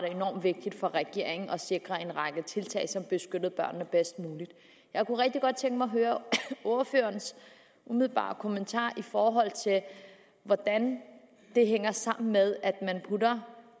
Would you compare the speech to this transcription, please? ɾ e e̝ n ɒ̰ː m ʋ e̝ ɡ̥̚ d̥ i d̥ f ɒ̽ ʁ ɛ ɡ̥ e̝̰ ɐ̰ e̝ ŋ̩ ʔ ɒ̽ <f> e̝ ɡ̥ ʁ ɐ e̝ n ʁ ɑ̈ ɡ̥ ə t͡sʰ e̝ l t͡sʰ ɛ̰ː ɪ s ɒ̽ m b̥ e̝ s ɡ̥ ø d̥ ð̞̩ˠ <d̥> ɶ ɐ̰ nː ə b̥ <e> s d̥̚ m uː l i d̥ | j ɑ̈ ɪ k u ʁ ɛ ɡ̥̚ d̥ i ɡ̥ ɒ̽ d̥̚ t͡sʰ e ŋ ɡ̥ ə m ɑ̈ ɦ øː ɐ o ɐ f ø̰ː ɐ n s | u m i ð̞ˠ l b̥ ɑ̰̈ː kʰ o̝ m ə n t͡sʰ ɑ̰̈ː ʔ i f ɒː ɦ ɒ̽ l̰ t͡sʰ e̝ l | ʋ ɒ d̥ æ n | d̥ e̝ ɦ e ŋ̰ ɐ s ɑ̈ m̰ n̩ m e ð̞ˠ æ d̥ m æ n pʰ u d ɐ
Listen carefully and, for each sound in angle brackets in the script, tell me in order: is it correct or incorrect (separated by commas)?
incorrect, incorrect, correct